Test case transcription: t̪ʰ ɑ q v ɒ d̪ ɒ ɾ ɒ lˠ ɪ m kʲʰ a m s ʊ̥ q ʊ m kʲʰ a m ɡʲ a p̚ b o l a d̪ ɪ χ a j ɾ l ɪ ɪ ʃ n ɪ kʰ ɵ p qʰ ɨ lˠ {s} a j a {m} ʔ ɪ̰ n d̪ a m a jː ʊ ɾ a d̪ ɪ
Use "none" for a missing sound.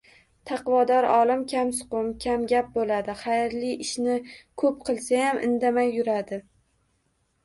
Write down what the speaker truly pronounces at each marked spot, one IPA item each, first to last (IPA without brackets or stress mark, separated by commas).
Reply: s, m